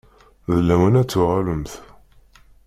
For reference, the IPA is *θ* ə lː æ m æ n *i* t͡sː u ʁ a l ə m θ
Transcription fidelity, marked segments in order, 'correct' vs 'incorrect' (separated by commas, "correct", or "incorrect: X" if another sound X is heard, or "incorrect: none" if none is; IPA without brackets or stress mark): incorrect: ð, incorrect: æ